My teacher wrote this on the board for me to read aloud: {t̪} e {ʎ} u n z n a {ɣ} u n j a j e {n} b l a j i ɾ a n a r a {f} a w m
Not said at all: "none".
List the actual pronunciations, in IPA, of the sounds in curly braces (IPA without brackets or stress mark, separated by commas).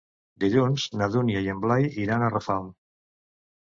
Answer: d̪, ʎ, ð, m, f